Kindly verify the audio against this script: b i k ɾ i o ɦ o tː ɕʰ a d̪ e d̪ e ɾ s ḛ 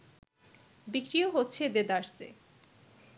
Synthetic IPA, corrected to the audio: b i k ɾ i o ɦ o tː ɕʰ e d̪ e d̪ a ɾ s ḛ